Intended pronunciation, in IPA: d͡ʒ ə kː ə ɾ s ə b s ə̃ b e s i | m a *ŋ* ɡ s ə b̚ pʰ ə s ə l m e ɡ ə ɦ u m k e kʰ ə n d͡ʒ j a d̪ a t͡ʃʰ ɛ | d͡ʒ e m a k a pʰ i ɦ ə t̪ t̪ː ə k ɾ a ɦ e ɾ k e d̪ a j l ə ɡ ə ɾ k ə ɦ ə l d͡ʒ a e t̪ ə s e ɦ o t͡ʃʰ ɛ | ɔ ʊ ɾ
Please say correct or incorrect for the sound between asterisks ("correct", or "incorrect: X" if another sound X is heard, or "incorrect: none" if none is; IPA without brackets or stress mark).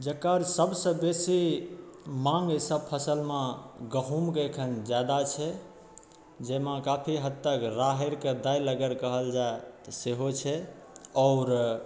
correct